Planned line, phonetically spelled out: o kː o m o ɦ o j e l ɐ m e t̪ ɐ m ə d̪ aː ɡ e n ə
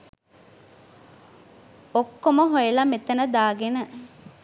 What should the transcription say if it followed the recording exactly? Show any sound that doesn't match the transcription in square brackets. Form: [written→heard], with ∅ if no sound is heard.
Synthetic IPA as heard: o kː o m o ɦ o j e l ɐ m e t̪ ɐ [m→n] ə d̪ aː ɡ e n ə